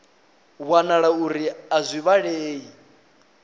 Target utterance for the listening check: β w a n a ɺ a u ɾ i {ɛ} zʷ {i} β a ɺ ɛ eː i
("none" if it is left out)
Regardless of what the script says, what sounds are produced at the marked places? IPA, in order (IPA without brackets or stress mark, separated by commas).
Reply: a, i